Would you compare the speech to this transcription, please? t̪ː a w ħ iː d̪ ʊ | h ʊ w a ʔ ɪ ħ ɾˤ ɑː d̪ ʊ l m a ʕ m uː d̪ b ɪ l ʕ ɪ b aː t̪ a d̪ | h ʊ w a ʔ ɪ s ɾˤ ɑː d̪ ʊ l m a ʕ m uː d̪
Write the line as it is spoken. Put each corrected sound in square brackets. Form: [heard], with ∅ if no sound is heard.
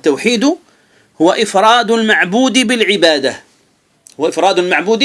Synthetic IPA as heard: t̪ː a w ħ iː d̪ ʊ | h ʊ w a ʔ ɪ [f] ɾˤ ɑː d̪ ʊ l m a ʕ [b] uː d̪ b ɪ l ʕ ɪ b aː [d̪] a [∅] | h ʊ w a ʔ ɪ [f] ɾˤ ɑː d̪ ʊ l m a ʕ [b] uː d̪

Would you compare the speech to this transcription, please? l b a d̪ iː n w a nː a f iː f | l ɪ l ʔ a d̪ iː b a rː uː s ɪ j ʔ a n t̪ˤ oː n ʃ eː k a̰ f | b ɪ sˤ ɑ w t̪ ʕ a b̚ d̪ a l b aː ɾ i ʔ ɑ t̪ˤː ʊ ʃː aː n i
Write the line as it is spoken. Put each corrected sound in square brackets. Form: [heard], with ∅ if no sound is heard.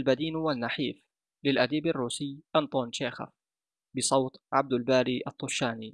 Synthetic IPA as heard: l b a d̪ iː n w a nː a [ħ] iː f | l ɪ l ʔ a d̪ iː b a rː uː s ɪ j ʔ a n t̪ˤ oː n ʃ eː [x] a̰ f | b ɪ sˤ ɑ w t̪ ʕ a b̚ d̪ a l b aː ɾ i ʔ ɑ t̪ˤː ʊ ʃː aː n i

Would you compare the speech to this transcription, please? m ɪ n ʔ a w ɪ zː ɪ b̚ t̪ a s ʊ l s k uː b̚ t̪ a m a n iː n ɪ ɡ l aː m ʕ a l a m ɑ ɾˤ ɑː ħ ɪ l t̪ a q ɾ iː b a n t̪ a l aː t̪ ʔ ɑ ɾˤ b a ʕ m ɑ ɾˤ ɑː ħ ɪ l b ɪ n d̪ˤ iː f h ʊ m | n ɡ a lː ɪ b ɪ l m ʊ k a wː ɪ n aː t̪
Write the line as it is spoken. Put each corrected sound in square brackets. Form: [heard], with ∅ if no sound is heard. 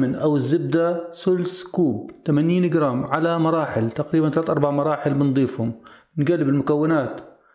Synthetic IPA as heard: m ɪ n ʔ a w ɪ zː ɪ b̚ [d̪] a s ʊ l s k uː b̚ t̪ a m a n iː n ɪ ɡ [ɾ] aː m ʕ a l a m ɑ ɾˤ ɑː ħ ɪ l t̪ a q ɾ iː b a n t̪ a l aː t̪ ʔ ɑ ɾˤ b a ʕ m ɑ ɾˤ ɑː ħ ɪ l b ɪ n d̪ˤ iː f h ʊ m | n ɡ a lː ɪ b ɪ l m ʊ k a wː ɪ n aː t̪

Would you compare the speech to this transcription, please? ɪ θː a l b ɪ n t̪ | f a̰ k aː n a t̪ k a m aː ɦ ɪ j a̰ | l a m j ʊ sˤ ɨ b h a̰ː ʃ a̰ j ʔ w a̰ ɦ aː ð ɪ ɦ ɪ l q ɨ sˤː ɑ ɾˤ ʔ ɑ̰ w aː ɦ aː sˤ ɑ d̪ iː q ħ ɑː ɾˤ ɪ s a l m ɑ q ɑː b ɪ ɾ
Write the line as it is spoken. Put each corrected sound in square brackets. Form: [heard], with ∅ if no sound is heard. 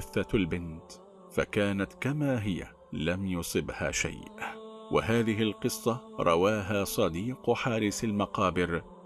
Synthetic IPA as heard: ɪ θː a l b ɪ n t̪ | f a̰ k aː n a t̪ k a m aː ɦ ɪ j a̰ | l a m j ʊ sˤ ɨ b h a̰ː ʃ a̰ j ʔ w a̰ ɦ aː ð ɪ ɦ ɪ l q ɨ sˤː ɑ ɾˤ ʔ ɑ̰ w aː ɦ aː sˤ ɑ d̪ iː q ħ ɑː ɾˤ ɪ s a l m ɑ q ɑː b ɪ ɾ

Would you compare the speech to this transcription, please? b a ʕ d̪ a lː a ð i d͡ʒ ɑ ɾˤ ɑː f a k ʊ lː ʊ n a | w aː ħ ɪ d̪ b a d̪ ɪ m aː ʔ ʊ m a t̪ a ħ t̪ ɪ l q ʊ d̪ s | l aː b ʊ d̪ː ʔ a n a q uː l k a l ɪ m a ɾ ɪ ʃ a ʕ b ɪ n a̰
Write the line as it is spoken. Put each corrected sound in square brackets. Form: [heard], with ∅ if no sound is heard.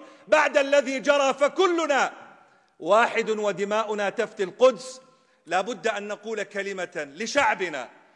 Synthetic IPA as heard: b a ʕ d̪ a lː a ð i d͡ʒ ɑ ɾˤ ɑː f a k ʊ lː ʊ n a | w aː ħ ɪ d̪ [w] a d̪ ɪ m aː ʔ ʊ [n] a t̪ a [f] t̪ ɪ l q ʊ d̪ s | l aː b ʊ d̪ː ʔ a [nː] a q uː l k a l ɪ m a [l] ɪ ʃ a ʕ b ɪ n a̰

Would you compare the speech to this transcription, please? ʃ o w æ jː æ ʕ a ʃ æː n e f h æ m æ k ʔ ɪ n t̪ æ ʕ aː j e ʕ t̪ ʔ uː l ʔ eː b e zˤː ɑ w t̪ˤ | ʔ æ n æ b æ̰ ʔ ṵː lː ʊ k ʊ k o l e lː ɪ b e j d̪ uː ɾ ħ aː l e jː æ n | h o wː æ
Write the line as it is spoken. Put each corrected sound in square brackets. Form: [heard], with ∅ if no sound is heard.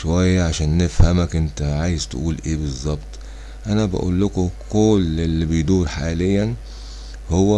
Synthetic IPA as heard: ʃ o w æ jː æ ʕ a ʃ æː [nː] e f h æ m æ k ʔ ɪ n t̪ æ ʕ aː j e [z] t̪ ʔ uː l ʔ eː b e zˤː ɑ [b] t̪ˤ | ʔ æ n æ b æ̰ ʔ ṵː lː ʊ k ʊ k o l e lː [i] b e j d̪ uː ɾ ħ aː l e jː æ n | h o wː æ

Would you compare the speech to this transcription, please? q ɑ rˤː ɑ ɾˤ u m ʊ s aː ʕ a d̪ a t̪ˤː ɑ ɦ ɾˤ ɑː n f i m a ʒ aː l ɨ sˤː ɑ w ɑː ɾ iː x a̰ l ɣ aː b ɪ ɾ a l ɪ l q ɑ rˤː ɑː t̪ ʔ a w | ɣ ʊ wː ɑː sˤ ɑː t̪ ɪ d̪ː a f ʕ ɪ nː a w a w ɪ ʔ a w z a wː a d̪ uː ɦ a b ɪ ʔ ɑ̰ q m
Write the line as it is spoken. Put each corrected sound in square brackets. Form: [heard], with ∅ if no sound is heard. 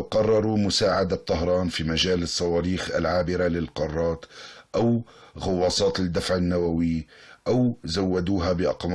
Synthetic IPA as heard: q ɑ rˤː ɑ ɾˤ u m ʊ s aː ʕ a d̪ a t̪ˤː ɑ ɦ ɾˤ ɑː n f i m a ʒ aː l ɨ sˤː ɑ w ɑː ɾ iː x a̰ l [ʕ] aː b ɪ ɾ a l ɪ l q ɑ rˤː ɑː t̪ ʔ a w | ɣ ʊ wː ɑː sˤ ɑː t̪ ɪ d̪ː a f ʕ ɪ nː a w a w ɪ ʔ a w z a wː a d̪ uː ɦ a b ɪ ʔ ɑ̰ q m

